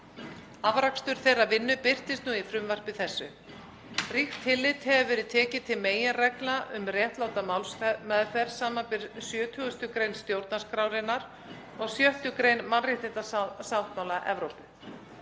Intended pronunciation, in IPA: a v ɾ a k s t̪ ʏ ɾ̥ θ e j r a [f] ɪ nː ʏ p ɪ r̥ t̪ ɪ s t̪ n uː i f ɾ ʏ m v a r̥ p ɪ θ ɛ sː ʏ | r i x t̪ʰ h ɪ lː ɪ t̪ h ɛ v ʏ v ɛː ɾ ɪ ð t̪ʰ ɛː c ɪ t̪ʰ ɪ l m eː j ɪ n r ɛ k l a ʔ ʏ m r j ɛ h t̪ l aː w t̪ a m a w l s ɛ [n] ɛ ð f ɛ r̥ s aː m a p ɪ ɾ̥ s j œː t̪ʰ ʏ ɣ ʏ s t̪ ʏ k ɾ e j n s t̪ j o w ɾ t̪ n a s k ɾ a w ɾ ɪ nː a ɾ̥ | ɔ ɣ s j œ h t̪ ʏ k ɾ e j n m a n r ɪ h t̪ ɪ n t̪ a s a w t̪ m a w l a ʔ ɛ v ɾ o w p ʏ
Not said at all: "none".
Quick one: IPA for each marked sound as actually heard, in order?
v, m

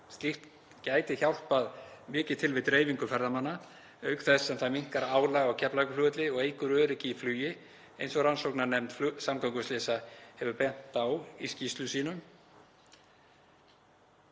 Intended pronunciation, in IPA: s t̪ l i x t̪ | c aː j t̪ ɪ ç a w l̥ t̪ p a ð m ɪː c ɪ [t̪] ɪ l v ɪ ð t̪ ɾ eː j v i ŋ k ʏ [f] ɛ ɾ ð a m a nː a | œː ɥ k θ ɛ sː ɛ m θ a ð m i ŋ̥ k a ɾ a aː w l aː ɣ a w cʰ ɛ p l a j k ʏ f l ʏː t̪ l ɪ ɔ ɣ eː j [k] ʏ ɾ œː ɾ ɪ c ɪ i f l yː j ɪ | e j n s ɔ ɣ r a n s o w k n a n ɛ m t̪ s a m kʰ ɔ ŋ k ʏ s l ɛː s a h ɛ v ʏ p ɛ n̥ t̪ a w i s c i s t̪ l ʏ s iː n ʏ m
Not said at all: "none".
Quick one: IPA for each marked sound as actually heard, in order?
t̪ʰ, f, k

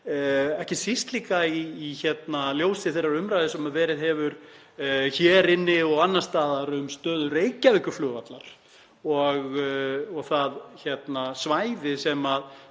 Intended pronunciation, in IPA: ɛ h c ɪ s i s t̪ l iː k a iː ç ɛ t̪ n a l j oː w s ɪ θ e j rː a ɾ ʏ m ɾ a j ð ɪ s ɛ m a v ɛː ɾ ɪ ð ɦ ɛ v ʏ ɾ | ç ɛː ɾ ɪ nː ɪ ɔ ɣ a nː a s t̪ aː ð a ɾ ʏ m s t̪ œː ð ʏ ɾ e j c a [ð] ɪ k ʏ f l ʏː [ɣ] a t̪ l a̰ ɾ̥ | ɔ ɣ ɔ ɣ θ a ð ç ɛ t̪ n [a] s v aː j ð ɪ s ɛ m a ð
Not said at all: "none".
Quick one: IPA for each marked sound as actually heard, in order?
v, v, a

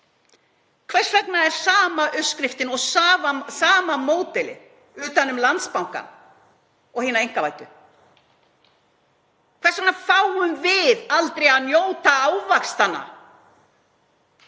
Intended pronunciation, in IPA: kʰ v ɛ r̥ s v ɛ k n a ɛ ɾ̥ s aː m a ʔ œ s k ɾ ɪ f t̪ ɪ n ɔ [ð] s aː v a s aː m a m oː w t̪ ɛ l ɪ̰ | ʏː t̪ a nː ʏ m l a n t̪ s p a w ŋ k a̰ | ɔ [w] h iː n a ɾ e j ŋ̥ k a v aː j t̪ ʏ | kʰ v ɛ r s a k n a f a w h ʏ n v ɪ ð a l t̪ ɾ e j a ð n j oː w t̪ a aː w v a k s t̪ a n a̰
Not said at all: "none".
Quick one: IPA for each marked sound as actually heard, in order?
ɣ, ɣ

